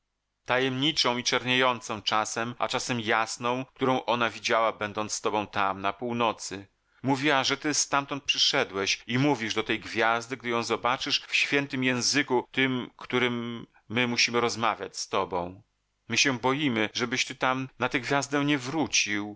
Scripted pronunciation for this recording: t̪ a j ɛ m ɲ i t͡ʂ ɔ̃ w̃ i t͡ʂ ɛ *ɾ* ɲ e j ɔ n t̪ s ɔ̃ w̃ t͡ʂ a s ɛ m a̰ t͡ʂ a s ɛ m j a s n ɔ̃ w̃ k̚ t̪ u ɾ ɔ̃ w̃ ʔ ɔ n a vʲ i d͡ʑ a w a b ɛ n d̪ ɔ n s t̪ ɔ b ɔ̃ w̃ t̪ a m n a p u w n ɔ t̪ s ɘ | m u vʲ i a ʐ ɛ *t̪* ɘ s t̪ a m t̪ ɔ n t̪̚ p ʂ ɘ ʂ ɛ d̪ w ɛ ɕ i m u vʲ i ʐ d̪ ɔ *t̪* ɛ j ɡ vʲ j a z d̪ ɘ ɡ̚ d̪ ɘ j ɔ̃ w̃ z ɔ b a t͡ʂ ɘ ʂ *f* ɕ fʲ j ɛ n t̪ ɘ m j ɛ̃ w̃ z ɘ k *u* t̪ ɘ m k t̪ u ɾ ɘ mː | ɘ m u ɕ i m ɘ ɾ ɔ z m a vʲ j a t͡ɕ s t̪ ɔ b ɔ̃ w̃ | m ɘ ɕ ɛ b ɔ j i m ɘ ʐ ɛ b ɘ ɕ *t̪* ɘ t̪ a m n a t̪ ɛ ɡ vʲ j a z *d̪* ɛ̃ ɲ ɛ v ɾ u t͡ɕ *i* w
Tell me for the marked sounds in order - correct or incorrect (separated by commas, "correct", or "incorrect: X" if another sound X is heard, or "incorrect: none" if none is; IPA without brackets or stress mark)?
correct, correct, correct, correct, correct, correct, correct, correct